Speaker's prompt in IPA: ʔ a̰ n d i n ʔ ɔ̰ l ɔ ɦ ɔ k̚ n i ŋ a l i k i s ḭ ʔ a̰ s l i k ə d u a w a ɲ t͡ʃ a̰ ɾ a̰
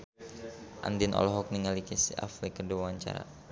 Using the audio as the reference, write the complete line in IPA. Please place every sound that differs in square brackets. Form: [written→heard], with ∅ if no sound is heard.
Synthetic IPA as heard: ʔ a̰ n d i n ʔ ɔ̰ l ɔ ɦ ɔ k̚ n i ŋ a l i k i s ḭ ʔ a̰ [s→f] l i k ə d u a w a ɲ t͡ʃ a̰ ɾ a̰